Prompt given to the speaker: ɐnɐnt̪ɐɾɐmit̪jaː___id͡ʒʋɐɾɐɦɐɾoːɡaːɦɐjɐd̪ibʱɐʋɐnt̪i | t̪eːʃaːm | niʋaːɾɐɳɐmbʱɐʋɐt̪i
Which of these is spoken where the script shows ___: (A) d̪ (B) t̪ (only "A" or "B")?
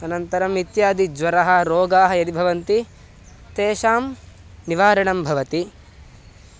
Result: A